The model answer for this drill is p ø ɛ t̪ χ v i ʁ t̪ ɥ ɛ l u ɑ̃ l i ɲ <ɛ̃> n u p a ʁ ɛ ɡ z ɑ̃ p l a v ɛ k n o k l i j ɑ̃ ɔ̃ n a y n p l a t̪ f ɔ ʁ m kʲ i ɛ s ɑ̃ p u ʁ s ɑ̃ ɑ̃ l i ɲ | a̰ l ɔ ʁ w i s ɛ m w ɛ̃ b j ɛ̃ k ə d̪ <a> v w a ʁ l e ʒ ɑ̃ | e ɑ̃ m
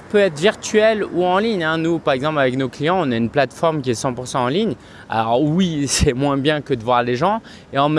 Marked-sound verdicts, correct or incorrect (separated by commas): correct, incorrect